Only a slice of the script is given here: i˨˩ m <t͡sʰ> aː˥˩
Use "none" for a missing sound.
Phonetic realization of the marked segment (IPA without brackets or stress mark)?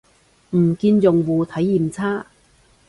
t͡sʰ